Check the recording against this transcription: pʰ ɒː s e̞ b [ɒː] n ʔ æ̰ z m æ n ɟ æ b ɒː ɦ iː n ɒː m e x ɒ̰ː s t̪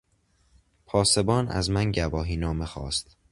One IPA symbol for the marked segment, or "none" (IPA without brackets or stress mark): ɒː